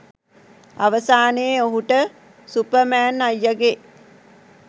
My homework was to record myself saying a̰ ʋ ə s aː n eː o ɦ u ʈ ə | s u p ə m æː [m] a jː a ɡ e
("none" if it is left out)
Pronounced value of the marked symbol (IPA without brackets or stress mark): n